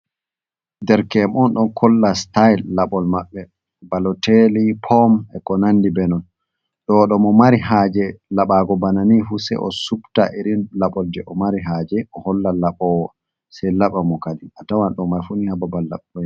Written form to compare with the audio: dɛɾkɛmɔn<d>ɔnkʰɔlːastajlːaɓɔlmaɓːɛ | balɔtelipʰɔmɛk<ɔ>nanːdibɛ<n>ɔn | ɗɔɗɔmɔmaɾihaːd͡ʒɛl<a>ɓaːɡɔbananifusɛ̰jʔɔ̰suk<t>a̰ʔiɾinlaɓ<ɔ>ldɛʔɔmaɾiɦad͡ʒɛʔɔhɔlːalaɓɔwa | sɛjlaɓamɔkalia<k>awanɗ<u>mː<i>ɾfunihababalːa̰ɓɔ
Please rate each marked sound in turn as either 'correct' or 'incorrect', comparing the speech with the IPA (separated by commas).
incorrect, correct, correct, correct, correct, correct, incorrect, incorrect, incorrect